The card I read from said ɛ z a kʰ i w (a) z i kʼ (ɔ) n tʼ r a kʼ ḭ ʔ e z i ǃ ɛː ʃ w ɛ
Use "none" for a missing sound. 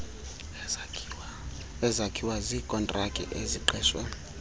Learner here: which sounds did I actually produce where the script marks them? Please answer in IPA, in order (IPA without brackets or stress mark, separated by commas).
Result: a, ɔ